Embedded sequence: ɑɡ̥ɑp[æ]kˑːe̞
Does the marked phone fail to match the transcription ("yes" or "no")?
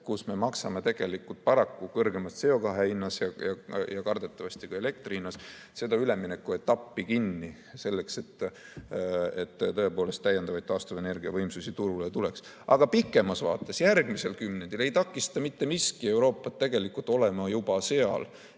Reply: yes